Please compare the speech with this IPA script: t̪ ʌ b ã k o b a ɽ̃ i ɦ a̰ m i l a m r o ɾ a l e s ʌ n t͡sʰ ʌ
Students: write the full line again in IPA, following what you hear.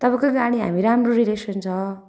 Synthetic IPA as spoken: t̪ ʌ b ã k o ɡ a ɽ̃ i ɦ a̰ m i ɾ a m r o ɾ i l e s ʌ n t͡sʰ ʌ